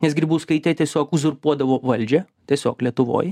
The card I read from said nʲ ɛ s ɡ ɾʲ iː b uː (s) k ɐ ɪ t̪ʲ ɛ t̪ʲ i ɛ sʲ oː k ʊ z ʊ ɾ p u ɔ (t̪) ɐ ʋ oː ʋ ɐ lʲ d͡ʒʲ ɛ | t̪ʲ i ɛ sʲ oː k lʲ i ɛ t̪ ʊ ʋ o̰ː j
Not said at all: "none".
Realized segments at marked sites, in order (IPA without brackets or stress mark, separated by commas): s, d̪